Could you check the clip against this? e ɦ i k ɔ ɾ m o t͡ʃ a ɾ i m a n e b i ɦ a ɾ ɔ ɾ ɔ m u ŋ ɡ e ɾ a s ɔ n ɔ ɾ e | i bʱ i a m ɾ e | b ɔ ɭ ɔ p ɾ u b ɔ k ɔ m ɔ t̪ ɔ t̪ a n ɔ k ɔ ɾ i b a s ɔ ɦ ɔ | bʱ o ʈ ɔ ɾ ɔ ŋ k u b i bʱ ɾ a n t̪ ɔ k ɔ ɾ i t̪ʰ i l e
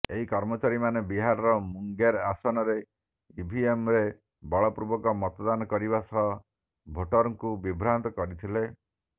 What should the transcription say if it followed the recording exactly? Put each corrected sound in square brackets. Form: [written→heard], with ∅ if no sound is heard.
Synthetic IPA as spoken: e ɦ i k ɔ ɾ m [o→ɔ] t͡ʃ a ɾ i m a n e b i ɦ a ɾ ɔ ɾ ɔ m u ŋ ɡ e ɾ a s ɔ n ɔ ɾ e | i bʱ i [a→e] m ɾ e | b ɔ ɭ ɔ p ɾ u b ɔ k ɔ m ɔ t̪ ɔ [t̪→d̪] a n ɔ k ɔ ɾ i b a s ɔ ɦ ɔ | bʱ o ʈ ɔ ɾ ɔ ŋ k u b i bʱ ɾ a n t̪ ɔ k ɔ ɾ i t̪ʰ i l e